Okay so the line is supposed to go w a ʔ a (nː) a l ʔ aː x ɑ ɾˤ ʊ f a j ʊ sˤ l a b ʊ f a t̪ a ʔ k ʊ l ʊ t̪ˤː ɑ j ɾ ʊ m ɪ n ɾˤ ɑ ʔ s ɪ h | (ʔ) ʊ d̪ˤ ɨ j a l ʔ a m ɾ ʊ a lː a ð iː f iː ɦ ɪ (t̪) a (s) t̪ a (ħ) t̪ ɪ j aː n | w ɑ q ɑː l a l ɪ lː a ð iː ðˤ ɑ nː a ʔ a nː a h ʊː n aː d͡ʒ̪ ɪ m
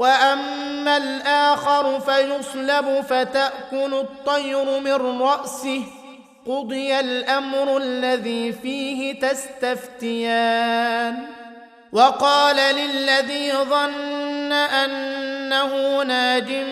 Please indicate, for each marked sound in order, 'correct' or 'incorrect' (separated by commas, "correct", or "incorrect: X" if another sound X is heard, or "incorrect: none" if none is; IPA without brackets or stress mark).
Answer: incorrect: mː, incorrect: q, correct, correct, incorrect: f